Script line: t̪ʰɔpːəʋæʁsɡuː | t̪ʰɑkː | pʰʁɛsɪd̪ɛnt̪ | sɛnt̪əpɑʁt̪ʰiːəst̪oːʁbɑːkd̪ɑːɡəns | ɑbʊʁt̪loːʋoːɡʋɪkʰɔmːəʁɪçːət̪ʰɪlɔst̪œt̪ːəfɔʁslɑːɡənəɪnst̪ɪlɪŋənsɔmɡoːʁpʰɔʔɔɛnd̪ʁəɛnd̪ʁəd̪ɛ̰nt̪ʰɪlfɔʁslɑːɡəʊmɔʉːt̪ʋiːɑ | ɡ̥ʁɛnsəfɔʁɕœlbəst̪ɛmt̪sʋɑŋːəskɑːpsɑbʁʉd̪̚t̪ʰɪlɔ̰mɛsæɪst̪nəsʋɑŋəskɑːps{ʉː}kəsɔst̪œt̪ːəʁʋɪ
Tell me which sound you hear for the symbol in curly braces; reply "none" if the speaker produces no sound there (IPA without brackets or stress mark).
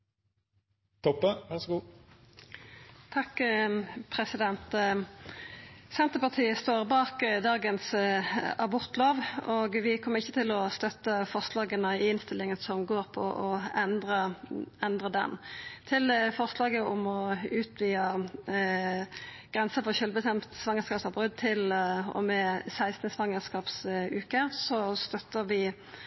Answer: ʉː